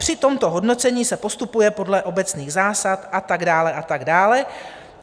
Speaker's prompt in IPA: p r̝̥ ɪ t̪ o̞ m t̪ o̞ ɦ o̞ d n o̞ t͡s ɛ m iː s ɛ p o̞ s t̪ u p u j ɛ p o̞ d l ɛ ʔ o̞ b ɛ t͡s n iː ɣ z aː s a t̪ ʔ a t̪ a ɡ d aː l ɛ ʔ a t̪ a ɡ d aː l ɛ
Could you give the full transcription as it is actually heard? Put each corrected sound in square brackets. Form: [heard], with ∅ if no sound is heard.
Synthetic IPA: p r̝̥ ɪ t̪ o̞ m t̪ o̞ ɦ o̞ d n o̞ t͡s ɛ [ɲ] iː s ɛ p o̞ s t̪ u p u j ɛ p o̞ d l ɛ ʔ o̞ b ɛ t͡s n iː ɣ z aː s a t̪ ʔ a t̪ a ɡ d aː l ɛ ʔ a t̪ a ɡ d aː l ɛ